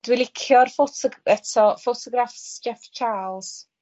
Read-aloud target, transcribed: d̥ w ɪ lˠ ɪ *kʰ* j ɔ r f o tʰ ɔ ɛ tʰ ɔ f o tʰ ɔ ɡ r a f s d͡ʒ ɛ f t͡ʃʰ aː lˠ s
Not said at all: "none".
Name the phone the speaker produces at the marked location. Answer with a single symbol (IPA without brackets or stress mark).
kʰ